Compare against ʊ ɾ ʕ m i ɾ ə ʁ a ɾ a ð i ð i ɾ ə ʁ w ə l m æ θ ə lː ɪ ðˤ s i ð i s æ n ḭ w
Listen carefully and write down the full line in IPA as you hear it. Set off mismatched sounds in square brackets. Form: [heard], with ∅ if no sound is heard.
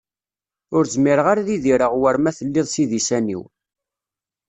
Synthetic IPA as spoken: ʊ ɾ [z] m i ɾ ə ʁ a ɾ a ð i ð i ɾ ə ʁ w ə [ɾ] m æ θ ə lː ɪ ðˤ s i ð i s æ n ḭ w